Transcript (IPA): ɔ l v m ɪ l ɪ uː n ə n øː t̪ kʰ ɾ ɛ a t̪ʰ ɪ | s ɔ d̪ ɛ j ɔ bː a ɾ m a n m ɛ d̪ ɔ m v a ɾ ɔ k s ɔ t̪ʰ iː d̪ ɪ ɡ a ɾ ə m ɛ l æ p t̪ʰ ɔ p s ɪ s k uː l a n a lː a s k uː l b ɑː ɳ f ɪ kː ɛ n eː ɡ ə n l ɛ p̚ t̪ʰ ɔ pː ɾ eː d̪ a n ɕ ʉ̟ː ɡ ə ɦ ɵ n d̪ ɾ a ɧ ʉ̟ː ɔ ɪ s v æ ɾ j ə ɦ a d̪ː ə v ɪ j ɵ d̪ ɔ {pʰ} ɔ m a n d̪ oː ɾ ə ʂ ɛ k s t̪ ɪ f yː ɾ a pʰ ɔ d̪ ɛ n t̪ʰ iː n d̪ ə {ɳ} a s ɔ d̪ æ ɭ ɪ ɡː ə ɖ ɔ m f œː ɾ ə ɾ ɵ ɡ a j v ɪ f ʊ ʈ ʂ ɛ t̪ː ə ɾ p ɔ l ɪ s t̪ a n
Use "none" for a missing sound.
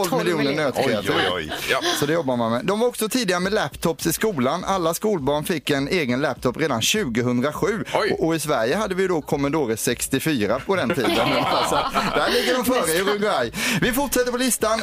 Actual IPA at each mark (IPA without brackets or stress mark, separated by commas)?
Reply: kʰ, n